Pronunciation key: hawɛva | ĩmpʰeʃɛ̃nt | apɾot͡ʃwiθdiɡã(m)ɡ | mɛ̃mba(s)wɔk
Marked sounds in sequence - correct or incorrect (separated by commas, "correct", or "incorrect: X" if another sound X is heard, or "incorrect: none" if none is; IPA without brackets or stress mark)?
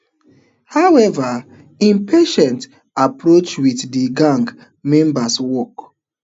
incorrect: ŋ, correct